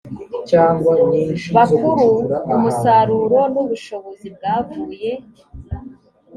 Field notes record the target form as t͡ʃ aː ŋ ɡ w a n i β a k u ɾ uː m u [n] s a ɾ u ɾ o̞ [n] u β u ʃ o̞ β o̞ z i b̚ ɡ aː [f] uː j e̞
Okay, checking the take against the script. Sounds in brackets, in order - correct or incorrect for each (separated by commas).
incorrect, correct, incorrect